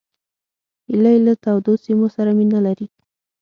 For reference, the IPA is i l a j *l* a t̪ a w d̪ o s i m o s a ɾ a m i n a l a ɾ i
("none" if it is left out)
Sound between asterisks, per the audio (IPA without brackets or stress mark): l